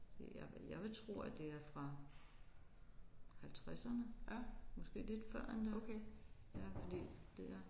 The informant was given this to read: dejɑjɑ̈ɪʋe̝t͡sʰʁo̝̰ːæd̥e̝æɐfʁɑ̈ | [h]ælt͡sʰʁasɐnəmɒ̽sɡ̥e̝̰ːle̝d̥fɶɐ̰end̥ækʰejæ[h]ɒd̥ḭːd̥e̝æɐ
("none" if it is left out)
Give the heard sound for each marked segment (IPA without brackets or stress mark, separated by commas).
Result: h, f